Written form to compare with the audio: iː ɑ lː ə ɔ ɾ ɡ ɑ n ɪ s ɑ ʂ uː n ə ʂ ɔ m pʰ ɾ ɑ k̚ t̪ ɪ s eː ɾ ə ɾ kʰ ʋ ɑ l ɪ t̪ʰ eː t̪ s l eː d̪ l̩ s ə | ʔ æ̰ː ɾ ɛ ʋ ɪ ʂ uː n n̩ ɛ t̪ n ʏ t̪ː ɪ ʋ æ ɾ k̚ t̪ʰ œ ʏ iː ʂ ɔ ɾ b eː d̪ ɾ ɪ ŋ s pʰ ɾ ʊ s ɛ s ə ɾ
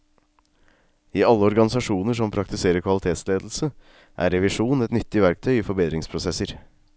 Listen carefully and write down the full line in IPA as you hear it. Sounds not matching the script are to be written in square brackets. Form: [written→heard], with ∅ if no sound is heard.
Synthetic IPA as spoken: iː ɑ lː ə ɔ ɾ ɡ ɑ n ɪ s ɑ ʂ uː n ə ʂ ɔ m pʰ ɾ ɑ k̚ t̪ ɪ s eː ɾ ə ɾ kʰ ʋ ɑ l ɪ t̪ʰ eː t̪ s l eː d̪ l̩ s ə | ʔ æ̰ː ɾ ɛ ʋ ɪ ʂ uː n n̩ ɛ t̪ n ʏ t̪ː ɪ ʋ æ ɾ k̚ t̪ʰ œ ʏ iː [ʂ→f] ɔ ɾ b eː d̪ ɾ ɪ ŋ s pʰ ɾ ʊ s ɛ s ə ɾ